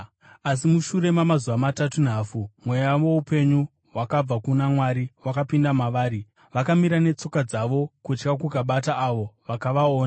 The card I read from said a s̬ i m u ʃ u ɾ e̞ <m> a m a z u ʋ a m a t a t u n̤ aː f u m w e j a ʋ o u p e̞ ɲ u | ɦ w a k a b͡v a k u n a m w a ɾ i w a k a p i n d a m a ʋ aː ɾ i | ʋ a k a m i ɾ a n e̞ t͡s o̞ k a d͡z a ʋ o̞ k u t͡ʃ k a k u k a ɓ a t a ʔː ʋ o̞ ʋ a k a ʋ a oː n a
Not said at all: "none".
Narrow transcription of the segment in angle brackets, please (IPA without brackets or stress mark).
m